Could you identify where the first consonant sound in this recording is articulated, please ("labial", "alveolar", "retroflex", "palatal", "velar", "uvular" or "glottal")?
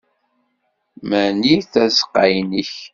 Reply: labial